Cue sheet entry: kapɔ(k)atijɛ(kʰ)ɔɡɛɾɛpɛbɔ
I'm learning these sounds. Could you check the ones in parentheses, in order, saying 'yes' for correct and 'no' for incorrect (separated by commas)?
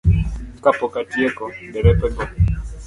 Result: yes, no